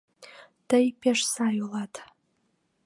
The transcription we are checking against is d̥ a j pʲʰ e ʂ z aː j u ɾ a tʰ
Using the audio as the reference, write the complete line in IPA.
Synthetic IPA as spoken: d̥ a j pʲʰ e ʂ s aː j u l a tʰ

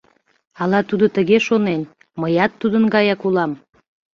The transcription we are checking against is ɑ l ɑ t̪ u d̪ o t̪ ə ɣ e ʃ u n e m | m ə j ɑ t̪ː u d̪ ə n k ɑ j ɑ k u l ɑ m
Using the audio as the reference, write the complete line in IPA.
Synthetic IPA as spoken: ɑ l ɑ t̪ u d̪ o t̪ ə ɣ e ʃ o n e n | m ə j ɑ t̪ː u d̪ ə n ɡ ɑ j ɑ k u l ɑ m

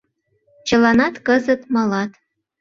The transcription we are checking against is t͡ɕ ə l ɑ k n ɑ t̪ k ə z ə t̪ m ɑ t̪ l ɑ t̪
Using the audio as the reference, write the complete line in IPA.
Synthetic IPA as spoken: t͡ɕ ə l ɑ n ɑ t̪ k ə z ə t̪ m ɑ l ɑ t̪

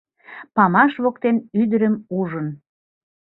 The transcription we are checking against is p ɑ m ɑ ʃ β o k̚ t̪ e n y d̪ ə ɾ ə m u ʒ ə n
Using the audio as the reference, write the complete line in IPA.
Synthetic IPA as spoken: p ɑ m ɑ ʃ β o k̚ t̪ e n y d̪ ə ɾ ə m u ʒ ə n

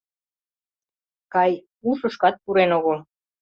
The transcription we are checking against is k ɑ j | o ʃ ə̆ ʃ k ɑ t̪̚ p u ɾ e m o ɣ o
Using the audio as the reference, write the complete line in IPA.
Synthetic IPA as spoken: k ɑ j | u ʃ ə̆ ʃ k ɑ t̪̚ p u ɾ e n o ɣ o

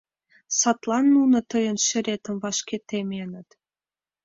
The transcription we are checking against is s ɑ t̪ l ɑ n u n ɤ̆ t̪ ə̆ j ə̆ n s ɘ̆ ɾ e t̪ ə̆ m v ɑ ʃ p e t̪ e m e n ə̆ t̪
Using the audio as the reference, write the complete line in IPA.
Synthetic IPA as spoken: s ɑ t̪ l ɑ nː u n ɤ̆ t̪ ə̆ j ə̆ n ʃ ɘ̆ ɾ e t̪ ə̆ m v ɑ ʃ k e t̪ e m e n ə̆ t̪

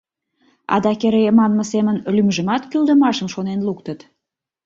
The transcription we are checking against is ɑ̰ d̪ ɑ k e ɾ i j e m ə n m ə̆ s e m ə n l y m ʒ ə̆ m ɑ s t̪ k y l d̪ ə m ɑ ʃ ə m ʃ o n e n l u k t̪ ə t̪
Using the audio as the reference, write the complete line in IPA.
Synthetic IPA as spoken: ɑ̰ d̪ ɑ k e ɾ e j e m ɑ n m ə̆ s e m ə n l y m ʒ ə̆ m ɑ t̪ k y l d̪ ə m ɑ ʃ ə m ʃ o n e n l u k t̪ ə t̪

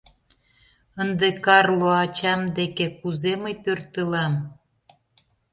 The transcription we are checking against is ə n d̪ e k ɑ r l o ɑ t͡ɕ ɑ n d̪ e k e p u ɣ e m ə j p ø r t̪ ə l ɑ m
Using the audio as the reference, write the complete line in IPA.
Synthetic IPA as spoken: ə n d̪ e k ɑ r l o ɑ t͡ɕ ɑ m d̪ e k e k u z e m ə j p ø r t̪ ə l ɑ m

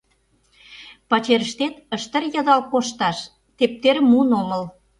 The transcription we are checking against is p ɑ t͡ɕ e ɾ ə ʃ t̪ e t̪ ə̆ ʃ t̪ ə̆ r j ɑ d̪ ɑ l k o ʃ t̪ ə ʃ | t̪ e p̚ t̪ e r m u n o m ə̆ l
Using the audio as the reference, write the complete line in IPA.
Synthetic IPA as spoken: p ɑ t͡ɕ e ɾ ə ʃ t̪ e t̪ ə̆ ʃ t̪ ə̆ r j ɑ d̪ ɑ l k o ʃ t̪ ɑ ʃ | t̪ e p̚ t̪ e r m u n o m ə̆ l

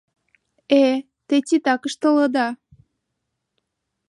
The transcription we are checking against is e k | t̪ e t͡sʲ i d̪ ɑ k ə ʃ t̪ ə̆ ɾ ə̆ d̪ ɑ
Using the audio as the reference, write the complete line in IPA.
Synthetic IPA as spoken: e | t̪ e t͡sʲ i t̪ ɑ k ə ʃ t̪ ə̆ l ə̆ d̪ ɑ

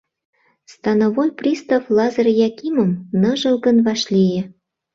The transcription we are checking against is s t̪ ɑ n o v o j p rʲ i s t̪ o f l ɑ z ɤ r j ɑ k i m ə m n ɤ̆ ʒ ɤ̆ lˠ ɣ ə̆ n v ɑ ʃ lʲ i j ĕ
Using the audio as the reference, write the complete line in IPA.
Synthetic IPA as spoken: s t̪ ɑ n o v o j p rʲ i s t̪ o f l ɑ z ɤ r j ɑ k i m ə m n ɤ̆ ʒ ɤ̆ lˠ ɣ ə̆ n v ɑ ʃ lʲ i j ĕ

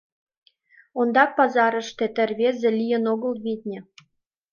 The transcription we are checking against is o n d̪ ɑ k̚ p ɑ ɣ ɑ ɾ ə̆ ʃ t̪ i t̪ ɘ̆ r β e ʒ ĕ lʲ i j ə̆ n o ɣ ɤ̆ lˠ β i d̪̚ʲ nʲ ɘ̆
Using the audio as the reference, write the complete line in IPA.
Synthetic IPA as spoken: o n d̪ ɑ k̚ p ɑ z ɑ ɾ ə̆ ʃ t̪ e t̪ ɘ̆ r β e z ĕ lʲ i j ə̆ n o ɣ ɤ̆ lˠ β i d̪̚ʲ nʲ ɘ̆

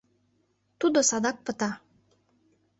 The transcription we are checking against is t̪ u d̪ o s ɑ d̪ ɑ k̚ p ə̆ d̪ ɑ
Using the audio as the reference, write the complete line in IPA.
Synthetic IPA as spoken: t̪ u d̪ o s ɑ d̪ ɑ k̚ p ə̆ t̪ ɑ

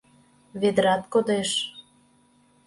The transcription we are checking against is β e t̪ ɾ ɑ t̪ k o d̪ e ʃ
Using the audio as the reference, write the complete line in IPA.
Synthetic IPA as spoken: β e d̪ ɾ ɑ t̪ k o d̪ e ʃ

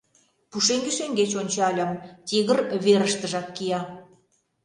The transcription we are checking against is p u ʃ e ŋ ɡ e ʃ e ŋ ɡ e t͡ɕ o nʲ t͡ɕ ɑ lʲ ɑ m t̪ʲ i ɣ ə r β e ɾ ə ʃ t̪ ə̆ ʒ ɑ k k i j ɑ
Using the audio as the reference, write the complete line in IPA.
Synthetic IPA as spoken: p u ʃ e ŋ ɡ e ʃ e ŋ ɡ e t͡ɕ o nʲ t͡ɕ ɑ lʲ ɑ m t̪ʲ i ɣ ə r β e ɾ ə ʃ t̪ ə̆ ʒ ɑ k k i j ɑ

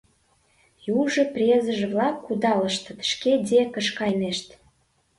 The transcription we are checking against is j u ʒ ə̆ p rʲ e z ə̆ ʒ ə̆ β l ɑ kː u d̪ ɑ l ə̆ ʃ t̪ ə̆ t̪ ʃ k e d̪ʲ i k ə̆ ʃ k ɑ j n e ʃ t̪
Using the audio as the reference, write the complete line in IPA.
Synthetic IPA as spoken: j u ʒ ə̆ p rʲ e z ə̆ ʒ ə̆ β l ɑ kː u d̪ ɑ l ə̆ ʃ t̪ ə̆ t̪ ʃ k e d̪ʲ e k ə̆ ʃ k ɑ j n e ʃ t̪

